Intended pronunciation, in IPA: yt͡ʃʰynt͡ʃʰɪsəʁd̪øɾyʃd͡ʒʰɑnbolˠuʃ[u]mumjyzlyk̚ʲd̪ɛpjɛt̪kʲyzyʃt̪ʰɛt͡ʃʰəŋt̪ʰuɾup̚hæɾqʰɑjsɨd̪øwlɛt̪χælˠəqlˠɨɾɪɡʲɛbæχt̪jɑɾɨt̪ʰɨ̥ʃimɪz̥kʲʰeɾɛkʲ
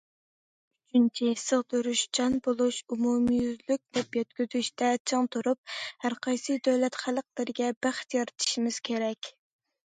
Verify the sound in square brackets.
correct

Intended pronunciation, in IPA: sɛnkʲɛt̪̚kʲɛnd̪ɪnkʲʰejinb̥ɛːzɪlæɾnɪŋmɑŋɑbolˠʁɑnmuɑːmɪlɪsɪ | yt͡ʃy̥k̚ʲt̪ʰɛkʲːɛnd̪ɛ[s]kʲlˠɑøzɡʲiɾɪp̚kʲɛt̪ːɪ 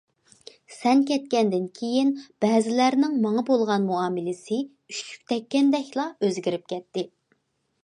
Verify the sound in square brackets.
incorrect: none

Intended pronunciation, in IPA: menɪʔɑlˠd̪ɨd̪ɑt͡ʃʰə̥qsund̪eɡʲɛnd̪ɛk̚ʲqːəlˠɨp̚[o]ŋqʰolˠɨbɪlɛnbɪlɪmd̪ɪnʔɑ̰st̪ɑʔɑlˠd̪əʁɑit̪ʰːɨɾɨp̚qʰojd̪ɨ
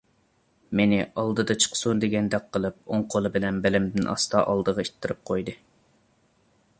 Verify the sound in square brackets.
correct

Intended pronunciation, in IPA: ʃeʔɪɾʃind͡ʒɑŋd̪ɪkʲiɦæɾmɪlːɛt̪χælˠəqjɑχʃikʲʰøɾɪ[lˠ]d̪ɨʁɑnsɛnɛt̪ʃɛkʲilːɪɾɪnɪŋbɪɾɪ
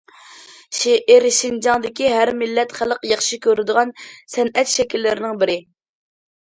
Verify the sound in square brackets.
incorrect: none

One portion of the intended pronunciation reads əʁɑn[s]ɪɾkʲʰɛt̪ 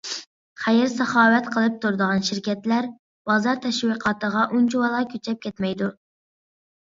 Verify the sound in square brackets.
incorrect: ʃ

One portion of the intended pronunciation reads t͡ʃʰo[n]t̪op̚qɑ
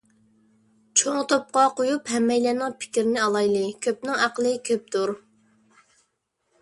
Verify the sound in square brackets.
incorrect: ŋ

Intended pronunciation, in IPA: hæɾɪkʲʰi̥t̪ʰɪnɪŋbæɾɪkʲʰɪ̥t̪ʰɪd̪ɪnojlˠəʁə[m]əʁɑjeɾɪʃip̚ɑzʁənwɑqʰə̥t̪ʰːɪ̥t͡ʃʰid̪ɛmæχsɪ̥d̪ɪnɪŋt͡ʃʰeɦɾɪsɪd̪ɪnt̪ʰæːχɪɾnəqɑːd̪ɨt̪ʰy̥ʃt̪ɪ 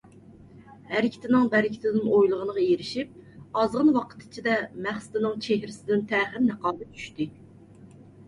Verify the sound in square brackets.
incorrect: n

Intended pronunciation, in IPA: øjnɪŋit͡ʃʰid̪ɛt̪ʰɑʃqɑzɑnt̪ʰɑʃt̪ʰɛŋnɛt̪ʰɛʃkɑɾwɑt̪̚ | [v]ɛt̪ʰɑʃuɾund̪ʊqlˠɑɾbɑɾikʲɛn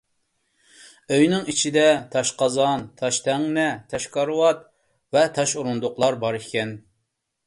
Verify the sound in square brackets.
correct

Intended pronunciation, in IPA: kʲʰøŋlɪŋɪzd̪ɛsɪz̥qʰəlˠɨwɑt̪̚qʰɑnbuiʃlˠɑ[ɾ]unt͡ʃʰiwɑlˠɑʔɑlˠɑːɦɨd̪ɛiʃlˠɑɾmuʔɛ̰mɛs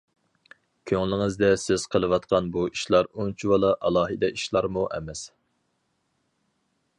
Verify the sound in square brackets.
correct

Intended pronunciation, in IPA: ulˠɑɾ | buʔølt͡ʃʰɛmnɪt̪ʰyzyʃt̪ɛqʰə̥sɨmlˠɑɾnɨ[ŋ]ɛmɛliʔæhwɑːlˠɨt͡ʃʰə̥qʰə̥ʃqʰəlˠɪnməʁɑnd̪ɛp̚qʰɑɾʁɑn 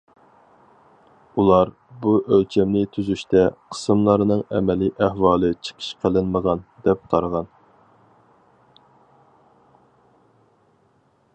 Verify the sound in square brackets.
correct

